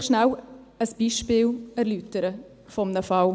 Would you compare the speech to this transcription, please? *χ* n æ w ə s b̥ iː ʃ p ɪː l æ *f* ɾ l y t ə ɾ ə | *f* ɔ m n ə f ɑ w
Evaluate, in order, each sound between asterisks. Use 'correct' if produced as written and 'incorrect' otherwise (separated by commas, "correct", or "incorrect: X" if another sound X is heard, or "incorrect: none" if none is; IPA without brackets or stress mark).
incorrect: ʃ, incorrect: none, correct